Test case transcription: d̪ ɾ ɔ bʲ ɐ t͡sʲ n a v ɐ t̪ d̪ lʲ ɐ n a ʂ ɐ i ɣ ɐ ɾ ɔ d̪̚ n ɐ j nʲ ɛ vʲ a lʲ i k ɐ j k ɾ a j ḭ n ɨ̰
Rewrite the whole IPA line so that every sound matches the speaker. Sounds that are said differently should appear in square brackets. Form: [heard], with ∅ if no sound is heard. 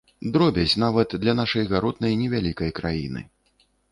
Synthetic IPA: d̪ ɾ ɔ bʲ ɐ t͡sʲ n a v ɐ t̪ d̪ lʲ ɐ n a ʂ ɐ [j] ɣ [a] ɾ ɔ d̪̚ n ɐ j nʲ ɛ vʲ a lʲ i k ɐ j k ɾ a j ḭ n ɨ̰